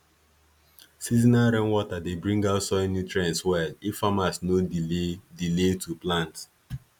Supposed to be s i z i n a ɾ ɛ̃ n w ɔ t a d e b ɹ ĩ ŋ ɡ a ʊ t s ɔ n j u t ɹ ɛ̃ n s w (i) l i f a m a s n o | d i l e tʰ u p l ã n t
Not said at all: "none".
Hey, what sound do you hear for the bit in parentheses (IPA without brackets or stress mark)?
ɛ